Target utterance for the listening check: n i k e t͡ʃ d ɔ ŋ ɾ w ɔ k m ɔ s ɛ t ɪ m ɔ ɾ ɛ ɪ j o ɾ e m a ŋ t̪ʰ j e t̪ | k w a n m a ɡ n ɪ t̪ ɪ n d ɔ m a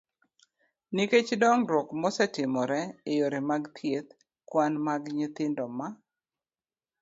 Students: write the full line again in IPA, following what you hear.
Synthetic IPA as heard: n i k e t͡ʃ d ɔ ŋ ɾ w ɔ k m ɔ s ɛ t ɪ m ɔ ɾ ɛ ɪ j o ɾ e m a ɡ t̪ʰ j e t̪ | k w a n m a ɡ ɲ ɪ t̪ ɪ n d ɔ m a